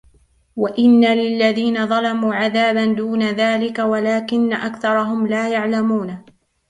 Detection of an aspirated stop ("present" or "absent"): absent